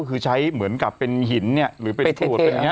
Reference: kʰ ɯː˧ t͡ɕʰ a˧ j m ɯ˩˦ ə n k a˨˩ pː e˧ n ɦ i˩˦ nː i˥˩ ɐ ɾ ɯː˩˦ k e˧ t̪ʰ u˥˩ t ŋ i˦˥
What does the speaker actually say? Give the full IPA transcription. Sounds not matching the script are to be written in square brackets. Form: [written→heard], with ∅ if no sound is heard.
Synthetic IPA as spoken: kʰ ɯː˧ t͡ɕʰ [a˧→a˦˥] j m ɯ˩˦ ə n k a˨˩ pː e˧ n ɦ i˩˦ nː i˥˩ ɐ ɾ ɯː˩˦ [k→p] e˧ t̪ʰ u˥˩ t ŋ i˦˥